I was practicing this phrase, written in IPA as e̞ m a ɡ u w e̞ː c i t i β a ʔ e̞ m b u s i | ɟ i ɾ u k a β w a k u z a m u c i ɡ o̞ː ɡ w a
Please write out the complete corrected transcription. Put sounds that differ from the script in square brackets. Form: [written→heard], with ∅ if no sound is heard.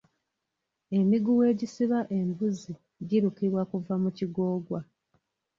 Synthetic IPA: e̞ m [a→i] ɡ u w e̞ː [c→ɟ] i [t→s] i β a ʔ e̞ m b u [s→z] i | ɟ i ɾ u k [a→i] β w a k u [z→v] a m u c i ɡ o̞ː ɡ w a